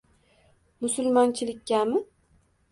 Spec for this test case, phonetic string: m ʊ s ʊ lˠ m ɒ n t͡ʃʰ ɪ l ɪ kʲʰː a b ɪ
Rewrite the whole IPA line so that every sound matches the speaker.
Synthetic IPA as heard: m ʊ s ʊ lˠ m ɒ n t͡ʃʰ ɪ l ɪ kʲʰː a m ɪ